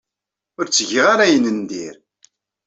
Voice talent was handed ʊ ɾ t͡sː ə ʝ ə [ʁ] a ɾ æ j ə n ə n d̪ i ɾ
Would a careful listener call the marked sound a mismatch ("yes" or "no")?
no